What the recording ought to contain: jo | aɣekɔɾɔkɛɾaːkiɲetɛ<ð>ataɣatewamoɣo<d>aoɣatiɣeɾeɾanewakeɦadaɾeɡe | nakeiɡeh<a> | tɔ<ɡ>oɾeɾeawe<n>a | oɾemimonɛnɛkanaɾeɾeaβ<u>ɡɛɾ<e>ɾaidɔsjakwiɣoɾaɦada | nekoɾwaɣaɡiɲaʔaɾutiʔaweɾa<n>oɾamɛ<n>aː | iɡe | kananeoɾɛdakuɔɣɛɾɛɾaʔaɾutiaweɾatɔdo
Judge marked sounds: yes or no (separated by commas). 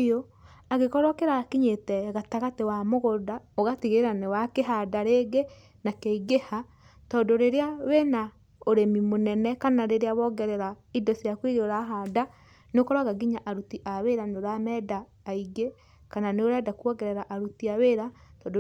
no, yes, yes, no, yes, no, no, yes, no